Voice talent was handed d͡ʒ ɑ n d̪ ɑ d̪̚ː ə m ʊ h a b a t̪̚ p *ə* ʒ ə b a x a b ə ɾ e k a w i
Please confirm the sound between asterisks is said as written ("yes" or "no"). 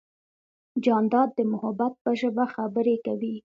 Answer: yes